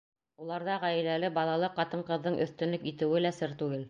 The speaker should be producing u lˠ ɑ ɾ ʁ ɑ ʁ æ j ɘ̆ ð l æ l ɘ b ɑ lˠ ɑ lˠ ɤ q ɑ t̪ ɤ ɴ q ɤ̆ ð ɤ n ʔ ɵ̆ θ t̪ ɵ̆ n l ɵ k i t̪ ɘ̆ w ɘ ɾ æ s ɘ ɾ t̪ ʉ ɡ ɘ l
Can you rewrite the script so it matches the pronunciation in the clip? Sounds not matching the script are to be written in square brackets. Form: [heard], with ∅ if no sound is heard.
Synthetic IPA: u lˠ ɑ ɾ [ð] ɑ ʁ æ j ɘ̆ [∅] l æ l ɘ b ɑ lˠ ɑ lˠ ɤ q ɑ t̪ ɤ ɴ q ɤ̆ [ðː] ɤ [ɴ] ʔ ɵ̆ θ t̪ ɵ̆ n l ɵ k i t̪ ɘ̆ w ɘ [l] æ s ɘ ɾ t̪ ʉ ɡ ɘ l